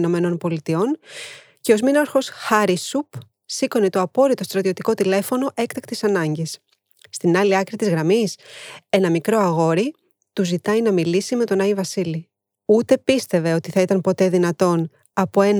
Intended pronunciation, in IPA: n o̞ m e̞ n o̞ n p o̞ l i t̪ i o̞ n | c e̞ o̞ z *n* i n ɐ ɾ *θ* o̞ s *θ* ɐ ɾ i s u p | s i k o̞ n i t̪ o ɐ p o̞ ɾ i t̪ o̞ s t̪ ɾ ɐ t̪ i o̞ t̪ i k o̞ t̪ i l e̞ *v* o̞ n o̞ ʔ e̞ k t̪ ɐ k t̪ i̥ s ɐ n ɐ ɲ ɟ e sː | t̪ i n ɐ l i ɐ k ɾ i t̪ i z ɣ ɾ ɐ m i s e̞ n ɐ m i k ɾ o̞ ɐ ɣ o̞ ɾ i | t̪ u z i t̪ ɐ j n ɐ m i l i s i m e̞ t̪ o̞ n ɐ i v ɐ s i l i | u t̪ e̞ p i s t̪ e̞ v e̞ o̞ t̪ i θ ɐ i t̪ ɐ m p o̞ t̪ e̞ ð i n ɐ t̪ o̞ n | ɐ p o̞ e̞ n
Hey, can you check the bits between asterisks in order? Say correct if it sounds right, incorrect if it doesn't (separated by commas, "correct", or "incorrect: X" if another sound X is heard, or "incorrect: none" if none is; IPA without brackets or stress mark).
incorrect: m, incorrect: x, incorrect: x, incorrect: f